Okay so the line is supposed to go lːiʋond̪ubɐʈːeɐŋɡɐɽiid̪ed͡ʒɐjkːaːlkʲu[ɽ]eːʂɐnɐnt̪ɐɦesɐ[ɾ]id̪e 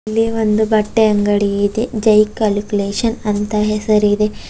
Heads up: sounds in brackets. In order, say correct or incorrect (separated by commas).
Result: incorrect, correct